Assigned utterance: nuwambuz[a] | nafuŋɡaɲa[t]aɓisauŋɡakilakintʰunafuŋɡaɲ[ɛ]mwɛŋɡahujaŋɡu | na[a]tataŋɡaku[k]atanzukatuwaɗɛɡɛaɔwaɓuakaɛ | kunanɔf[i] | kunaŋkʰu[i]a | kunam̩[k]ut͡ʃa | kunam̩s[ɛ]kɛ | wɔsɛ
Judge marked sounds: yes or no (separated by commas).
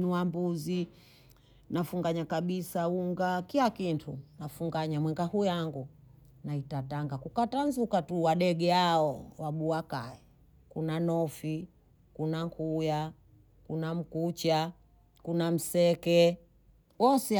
no, no, no, no, yes, yes, no, yes, yes